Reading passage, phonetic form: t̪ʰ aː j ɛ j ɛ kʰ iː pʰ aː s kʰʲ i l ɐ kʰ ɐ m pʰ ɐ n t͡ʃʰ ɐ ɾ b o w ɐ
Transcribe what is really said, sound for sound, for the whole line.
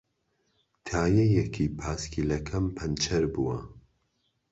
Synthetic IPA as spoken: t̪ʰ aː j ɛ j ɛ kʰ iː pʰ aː s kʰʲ i l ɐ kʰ ɐ m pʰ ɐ n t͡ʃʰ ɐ ɾ b u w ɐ